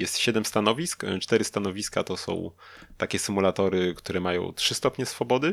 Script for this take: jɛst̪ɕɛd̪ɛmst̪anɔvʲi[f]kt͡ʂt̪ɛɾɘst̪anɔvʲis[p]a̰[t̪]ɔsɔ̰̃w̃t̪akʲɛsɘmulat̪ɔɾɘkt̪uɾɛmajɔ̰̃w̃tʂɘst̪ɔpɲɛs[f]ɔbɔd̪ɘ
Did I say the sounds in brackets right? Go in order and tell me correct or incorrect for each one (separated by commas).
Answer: incorrect, incorrect, correct, correct